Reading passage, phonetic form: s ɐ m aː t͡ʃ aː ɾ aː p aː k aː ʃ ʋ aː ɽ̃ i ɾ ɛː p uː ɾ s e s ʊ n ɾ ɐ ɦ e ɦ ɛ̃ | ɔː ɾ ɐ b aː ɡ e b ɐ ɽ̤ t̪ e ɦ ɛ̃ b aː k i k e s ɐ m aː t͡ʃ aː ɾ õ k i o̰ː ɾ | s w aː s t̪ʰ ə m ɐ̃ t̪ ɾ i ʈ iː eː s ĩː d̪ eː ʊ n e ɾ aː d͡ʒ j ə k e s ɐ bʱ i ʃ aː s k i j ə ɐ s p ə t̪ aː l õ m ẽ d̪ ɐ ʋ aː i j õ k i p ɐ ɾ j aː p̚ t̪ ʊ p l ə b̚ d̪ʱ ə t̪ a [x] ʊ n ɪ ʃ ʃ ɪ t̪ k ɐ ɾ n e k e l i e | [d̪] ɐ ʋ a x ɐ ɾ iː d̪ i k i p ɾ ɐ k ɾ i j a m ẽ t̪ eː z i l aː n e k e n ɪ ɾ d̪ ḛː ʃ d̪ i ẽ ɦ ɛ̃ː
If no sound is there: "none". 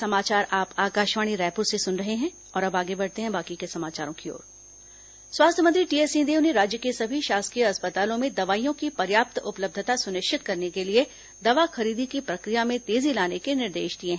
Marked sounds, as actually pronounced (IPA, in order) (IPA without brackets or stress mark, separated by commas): s, d̪